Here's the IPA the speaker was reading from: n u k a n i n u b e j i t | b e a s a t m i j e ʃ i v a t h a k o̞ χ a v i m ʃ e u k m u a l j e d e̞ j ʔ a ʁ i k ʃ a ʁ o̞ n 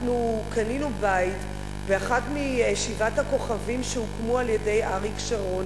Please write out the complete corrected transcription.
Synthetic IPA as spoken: n u k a n i n u b a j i t | b e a χ a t m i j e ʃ i v a t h a k o̞ χ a v i m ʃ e u k m u a l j e d e̞ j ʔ a ʁ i k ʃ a ʁ o̞ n

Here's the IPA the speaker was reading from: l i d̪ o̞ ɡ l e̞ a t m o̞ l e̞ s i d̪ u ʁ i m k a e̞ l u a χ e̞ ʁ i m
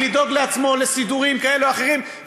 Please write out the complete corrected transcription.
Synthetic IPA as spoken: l i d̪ o̞ ɡ l e̞ a t͡s m o̞ l e̞ s i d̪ u ʁ i m k a e̞ l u a χ e̞ ʁ i m

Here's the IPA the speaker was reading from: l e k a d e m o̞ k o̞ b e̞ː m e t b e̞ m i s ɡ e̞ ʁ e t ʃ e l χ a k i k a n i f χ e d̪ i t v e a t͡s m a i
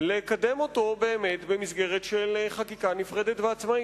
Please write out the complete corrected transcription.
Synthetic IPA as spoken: l e k a d e m o̞ t o̞ b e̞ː m e t b e̞ m i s ɡ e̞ ʁ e t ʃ e l χ a k i k a n i f ʁ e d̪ e t v e a t͡s m a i

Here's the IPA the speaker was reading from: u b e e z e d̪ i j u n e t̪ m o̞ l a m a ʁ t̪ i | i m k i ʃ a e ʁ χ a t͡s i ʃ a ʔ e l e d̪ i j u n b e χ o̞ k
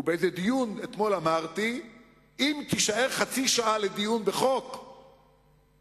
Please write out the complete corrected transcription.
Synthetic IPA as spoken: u b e e z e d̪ i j u n e t̪ m o̞ l a m a ʁ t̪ i | i m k i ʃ a e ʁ χ a t͡s i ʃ a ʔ a l e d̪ i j u n b e χ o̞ k

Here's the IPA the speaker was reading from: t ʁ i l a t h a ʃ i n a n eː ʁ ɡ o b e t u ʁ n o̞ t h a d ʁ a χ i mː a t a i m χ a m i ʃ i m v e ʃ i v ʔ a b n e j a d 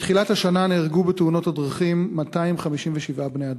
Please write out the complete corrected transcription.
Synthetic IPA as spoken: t χ i l a t h a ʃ a n a n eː ʁ ɡ u b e t u n o̞ t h a d ʁ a χ i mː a t a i m χ a m i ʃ i m v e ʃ i v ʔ a b n e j a d

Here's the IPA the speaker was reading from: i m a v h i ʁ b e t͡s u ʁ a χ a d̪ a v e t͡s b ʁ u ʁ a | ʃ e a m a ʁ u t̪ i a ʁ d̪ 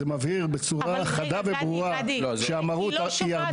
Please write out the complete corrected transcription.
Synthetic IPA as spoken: e m a v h i ʁ b e t͡s u ʁ a χ a d̪ a v e b ʁ u ʁ a | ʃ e a m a ʁ u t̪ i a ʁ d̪

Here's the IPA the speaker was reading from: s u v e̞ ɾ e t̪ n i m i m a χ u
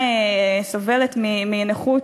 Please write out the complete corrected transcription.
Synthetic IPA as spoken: s o v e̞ l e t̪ m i m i n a χ u

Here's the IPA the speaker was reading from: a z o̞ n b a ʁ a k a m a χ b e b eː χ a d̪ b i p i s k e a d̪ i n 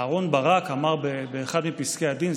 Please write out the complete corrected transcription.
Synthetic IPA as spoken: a ʁ o̞ n b a ʁ a k a m a ʁ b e b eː χ a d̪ m i p i s k e a d̪ i n

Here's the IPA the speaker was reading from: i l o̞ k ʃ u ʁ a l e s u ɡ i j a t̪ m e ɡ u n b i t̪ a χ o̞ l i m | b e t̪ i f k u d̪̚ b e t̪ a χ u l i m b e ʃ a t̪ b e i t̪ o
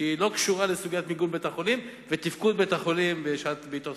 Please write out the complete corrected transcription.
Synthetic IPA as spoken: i l o̞ k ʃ u ʁ a l e s u ɡ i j a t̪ m i ɡ u n b e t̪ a χ o̞ l i m | v e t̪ i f k u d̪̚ b e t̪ a χ o l i m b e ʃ a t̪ b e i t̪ o

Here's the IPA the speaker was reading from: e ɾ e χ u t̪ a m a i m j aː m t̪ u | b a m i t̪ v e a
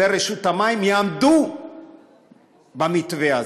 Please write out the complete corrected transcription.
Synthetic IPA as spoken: e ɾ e ʃ u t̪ a m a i m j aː m d̪ u | b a m i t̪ v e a

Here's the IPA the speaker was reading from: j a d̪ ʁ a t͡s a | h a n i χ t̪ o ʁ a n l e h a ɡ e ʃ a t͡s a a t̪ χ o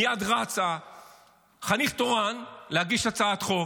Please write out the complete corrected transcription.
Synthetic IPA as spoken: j a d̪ ʁ a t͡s a | χ a n i χ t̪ o ʁ a n l e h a ɡ i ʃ a t͡s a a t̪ χ o

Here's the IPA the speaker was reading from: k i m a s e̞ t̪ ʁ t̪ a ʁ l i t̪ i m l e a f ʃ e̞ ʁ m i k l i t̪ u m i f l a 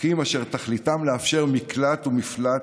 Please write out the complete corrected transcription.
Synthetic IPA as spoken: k i m a ʃ e̞ ʁ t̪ a χ l i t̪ a m l e a f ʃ e̞ ʁ m i k l a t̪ u m i f l a

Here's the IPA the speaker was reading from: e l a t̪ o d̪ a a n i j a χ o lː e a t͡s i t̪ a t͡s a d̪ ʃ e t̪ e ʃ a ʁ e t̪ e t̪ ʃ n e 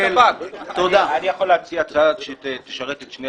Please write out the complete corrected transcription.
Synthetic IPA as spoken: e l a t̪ o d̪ a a n i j a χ o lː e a t͡s i a t͡s a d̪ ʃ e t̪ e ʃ a ʁ e t̪ e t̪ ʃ n e

